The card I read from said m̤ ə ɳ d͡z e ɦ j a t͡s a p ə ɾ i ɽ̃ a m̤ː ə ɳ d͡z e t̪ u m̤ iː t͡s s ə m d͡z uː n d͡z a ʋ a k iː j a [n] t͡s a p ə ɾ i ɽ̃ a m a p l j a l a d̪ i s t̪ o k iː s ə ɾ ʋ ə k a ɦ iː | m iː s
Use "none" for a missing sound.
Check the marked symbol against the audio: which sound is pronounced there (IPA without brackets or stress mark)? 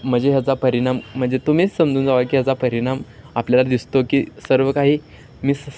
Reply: none